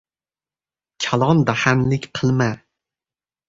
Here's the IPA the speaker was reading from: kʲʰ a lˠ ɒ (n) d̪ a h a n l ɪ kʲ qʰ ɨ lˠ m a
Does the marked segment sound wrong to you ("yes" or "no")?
no